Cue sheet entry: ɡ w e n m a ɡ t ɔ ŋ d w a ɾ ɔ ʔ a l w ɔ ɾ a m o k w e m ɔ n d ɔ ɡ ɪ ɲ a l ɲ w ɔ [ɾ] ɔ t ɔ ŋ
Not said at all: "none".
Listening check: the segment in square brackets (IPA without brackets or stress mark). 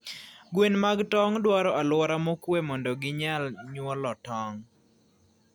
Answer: l